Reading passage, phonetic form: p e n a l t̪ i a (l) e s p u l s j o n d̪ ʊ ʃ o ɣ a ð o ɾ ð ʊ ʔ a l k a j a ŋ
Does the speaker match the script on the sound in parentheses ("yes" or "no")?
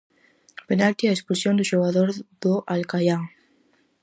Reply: no